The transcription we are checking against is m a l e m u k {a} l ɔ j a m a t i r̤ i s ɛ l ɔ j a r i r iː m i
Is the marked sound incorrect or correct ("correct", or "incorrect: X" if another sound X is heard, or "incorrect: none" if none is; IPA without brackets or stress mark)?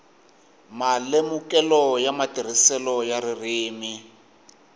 incorrect: ɛ